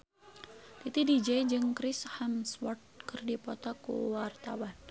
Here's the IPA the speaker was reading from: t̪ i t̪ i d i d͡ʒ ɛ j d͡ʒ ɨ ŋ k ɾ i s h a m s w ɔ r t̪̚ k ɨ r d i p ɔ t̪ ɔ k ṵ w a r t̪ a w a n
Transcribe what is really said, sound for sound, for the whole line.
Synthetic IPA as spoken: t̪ i t̪ i d i d͡ʒ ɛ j d͡ʒ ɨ ŋ k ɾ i s h a m s w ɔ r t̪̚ k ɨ r d i p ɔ t̪ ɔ k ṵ w a r t̪ a w a n